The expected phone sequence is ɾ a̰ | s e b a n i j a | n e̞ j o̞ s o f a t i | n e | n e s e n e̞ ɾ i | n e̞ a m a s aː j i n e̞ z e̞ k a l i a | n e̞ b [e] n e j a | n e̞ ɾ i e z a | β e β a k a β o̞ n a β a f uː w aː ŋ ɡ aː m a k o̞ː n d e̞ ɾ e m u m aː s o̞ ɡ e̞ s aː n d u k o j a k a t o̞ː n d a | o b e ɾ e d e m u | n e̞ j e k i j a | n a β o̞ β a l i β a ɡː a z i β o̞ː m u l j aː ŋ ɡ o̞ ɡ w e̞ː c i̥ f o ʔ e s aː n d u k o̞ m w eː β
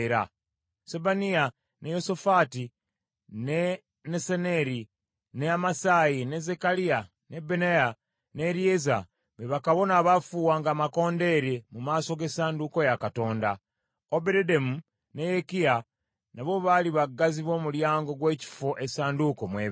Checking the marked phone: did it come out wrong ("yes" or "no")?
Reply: no